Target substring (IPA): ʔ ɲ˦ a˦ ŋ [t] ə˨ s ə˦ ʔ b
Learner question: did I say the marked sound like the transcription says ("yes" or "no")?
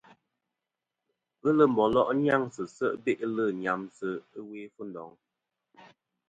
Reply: no